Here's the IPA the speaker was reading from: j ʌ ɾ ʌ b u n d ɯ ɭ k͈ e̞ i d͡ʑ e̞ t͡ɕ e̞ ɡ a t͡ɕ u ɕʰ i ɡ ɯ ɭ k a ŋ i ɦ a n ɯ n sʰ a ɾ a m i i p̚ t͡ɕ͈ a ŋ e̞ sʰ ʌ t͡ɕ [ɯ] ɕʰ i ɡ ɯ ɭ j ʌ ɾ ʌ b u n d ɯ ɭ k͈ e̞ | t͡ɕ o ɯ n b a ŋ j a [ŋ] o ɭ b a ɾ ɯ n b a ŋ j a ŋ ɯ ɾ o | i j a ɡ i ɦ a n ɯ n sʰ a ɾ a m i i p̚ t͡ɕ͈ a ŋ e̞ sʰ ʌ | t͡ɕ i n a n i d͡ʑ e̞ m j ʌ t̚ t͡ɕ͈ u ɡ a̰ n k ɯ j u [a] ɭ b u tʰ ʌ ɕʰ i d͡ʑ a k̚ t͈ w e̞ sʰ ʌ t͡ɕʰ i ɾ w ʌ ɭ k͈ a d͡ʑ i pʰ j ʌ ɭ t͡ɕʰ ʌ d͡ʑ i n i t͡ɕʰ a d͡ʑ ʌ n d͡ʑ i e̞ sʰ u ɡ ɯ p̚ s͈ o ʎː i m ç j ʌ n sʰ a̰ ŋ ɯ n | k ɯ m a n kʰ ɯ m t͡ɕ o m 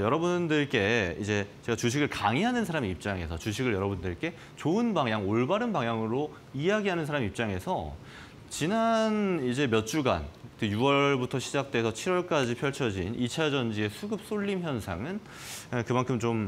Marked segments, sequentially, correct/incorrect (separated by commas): incorrect, correct, incorrect